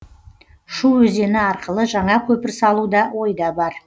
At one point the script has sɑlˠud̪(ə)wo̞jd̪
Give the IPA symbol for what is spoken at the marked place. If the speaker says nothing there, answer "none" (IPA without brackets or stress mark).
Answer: ɑ